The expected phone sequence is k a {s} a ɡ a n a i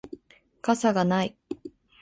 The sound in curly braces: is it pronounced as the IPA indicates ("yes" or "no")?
yes